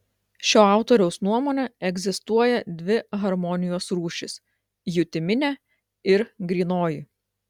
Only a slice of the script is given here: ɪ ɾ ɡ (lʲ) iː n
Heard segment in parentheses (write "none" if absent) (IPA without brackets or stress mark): ɾʲ